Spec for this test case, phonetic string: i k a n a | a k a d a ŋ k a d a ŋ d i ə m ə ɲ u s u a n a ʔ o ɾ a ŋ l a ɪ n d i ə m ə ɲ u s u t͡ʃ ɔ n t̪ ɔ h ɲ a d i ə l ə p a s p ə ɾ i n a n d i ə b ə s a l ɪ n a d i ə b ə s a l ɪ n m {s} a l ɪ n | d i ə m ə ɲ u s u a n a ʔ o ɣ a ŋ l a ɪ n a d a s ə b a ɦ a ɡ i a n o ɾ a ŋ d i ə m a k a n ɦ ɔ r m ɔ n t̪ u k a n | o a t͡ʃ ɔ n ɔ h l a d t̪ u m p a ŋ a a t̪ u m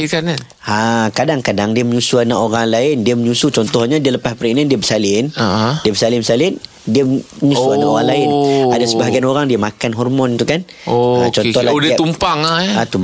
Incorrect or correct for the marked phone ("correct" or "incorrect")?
correct